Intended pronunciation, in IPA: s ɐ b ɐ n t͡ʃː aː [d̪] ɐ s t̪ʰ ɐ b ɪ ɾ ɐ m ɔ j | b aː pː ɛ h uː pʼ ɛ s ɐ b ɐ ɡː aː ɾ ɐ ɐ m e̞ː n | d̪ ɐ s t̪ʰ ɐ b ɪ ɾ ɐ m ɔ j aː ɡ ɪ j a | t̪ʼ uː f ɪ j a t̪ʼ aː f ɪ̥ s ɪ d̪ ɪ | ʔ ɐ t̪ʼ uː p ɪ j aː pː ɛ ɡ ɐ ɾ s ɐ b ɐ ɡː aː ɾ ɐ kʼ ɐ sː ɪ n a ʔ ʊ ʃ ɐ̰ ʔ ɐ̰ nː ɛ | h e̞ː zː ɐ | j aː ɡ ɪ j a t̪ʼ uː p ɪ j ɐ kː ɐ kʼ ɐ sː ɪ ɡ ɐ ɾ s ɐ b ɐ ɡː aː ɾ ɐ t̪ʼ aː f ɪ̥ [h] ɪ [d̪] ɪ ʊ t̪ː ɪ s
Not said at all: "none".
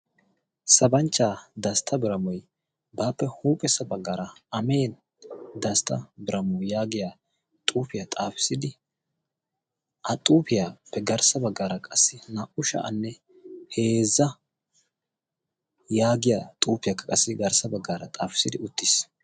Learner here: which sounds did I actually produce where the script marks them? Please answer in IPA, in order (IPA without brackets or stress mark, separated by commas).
d̪, s, d̪